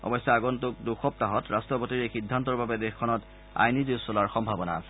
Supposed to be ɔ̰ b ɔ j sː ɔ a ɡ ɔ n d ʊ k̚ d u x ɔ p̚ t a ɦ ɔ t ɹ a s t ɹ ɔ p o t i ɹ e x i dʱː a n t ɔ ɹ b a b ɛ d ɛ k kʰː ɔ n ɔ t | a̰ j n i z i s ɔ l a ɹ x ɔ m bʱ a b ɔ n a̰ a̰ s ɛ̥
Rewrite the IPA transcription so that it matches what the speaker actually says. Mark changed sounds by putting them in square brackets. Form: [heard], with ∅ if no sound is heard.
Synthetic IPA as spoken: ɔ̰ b ɔ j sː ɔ a ɡ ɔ n [t] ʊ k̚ d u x ɔ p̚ t a ɦ ɔ t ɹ a s t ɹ ɔ p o t i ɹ e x i dʱː a n t ɔ ɹ b a b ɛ d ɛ [x] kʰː ɔ n ɔ t | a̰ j n i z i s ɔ l a ɹ x ɔ m bʱ a b ɔ n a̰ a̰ s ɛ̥